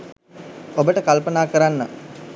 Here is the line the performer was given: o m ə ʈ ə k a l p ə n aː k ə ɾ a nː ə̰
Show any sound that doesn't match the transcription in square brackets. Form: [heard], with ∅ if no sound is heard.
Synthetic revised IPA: o [b] ə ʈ ə k a l p ə n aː k ə ɾ a nː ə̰